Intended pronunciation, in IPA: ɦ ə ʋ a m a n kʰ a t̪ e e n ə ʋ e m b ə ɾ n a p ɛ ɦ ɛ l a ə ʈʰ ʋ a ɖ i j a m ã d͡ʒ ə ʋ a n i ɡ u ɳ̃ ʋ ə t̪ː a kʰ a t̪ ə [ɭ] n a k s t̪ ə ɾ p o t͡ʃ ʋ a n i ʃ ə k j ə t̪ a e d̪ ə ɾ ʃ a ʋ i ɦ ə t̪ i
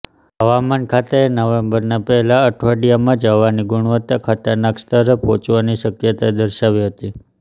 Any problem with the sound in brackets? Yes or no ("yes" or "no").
yes